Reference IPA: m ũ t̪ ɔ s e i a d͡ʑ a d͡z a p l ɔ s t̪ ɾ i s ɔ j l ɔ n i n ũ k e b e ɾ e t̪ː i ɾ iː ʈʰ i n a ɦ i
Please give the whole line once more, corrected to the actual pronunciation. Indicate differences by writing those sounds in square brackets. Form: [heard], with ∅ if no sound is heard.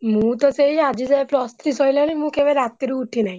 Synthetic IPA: m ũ t̪ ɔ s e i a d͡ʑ [i] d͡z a p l ɔ s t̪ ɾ i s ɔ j l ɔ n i [m] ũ k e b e ɾ [a] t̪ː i ɾ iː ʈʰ i n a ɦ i